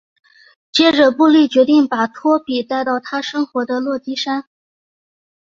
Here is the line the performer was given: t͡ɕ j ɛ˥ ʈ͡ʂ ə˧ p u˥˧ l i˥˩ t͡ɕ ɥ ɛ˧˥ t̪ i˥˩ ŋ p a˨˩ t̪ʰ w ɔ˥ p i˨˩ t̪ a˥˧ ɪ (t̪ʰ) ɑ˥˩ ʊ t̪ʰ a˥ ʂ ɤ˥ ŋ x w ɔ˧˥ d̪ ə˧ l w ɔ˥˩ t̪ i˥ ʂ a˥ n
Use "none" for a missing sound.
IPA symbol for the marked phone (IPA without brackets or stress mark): t̪